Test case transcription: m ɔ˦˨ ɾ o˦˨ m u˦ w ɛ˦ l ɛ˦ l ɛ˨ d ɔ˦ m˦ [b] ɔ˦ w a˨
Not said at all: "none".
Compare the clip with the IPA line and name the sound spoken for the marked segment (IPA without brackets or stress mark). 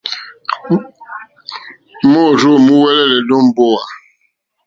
b